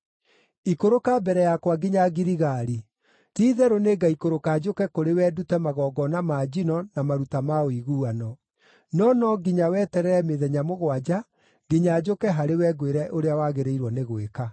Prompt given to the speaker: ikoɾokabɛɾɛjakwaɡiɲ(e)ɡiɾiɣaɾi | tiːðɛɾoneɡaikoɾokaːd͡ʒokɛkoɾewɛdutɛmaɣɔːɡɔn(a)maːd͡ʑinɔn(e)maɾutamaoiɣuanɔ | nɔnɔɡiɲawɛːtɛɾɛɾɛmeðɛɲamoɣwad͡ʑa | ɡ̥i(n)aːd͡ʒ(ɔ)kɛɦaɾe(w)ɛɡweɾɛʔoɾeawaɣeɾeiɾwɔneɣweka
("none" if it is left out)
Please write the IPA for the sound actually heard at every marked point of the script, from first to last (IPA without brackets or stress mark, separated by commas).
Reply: a, a, a, ɲ, o, w